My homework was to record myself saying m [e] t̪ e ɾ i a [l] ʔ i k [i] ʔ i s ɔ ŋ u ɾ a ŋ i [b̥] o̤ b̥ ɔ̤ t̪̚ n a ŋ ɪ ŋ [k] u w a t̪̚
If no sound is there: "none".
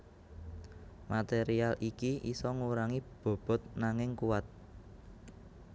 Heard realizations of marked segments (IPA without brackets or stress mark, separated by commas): a, l, i, b̥, k